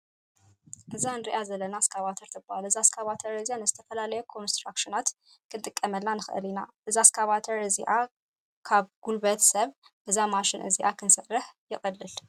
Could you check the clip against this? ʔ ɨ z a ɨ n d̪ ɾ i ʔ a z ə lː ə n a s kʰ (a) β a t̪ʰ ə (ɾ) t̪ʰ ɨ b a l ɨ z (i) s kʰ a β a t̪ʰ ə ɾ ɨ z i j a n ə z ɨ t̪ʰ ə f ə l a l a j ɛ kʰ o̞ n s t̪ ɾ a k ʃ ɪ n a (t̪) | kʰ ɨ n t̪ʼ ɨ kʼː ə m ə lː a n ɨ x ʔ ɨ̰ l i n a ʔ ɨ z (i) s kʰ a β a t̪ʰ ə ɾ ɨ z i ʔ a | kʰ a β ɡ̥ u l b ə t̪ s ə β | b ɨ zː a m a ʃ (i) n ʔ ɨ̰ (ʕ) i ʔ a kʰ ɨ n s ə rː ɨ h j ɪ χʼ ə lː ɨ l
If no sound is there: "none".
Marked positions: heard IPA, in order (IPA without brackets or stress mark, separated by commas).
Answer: a, ɾ, a, t̪, a, ɪ, z